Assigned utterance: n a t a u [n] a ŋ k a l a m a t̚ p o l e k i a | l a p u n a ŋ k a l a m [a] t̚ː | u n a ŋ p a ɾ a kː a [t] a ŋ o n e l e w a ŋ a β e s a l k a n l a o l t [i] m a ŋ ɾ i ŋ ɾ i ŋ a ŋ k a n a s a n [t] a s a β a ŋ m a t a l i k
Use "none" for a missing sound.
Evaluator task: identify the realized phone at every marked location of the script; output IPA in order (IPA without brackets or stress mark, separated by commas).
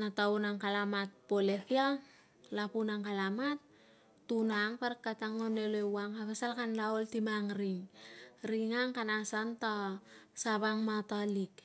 n, a, t, i, t